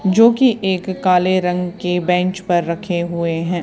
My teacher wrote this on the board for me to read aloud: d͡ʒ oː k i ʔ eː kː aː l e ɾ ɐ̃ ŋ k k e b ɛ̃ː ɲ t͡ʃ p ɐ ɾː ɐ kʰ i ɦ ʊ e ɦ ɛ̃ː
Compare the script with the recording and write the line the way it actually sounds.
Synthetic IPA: d͡ʒ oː k i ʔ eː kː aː l e ɾ ɐ̃ ŋ ɡ k e b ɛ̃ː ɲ t͡ʃ p ɐ ɾː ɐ kʰ e ɦ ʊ e ɦ ɛ̃ː